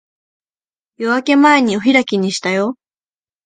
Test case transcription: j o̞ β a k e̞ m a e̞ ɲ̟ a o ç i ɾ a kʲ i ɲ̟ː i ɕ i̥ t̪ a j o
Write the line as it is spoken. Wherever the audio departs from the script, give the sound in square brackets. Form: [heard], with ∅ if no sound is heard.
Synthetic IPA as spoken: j o̞ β a k e̞ m a e̞ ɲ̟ [i] o ç i ɾ a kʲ i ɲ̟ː i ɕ i̥ t̪ a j o